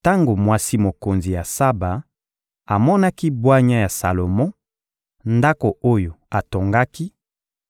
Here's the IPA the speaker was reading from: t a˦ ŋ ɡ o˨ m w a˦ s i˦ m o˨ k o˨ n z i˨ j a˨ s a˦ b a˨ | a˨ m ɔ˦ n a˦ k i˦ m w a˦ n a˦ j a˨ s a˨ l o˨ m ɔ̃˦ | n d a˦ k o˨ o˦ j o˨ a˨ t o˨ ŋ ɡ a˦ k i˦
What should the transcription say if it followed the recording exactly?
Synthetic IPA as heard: t a˦ ŋ ɡ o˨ m w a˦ s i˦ m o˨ k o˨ n z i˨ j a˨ s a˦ b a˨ | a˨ m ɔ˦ n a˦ k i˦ b w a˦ ɲ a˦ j a˨ s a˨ l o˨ m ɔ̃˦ | n d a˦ k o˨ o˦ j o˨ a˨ t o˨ ŋ ɡ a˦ k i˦

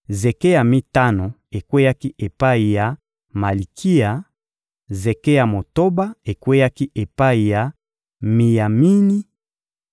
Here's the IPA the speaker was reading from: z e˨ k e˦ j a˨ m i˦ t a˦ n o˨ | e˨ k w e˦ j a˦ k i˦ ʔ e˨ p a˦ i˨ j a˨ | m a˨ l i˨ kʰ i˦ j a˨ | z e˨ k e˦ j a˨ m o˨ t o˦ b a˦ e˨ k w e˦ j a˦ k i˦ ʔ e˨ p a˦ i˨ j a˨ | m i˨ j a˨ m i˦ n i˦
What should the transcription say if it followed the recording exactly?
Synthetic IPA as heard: z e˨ k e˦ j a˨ m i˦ t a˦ n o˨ | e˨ k w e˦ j a˦ k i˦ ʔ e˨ p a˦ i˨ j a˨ | m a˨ l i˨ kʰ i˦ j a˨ | z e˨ k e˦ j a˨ m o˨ t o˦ b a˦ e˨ k w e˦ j a˦ k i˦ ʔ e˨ p a˦ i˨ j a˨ | m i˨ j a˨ m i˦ n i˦

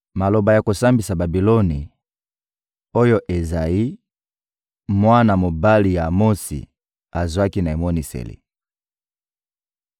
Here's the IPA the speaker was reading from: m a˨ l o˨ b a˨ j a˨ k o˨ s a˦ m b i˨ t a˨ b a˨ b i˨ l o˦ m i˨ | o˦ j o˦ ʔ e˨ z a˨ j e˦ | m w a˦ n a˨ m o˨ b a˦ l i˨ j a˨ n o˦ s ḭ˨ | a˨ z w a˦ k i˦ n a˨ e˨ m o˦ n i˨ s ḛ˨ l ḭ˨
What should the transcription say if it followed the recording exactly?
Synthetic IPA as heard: m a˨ l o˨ b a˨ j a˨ k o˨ s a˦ m b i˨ s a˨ b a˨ b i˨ l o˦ n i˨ | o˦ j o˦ ʔ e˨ z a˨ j i˦ | m w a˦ n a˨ m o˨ b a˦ l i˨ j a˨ m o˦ s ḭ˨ | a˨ z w a˦ k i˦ n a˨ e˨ m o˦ n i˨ s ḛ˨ l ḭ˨

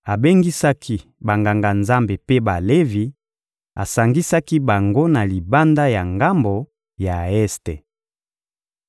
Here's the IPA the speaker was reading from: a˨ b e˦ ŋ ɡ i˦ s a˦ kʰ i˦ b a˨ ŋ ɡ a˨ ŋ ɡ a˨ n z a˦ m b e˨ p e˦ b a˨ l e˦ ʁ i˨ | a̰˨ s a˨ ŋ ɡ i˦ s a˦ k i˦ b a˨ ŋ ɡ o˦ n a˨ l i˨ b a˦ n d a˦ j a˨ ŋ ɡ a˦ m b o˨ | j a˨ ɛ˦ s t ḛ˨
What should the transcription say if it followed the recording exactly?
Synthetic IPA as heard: a˨ b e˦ ŋ ɡ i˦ s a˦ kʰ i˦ b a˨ ŋ ɡ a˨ ŋ ɡ a˨ n z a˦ m b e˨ p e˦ b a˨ l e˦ v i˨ | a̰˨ s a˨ ŋ ɡ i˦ s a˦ k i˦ b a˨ ŋ ɡ o˦ n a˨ l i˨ b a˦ n d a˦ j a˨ ŋ ɡ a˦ m b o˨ | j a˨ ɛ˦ s t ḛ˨

